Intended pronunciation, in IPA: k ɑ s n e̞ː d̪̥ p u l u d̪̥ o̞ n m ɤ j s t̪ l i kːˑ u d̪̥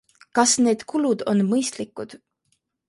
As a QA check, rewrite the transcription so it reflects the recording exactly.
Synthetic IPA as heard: k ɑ s n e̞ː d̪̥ k u l u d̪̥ o̞ n m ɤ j s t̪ l i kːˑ u d̪̥